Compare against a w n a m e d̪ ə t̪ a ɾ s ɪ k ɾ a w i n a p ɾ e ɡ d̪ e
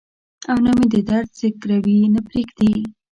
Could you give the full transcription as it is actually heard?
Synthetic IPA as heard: a w n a m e d̪ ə d̪ a ɾ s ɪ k ɾ a w i n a p ɾ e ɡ d̪ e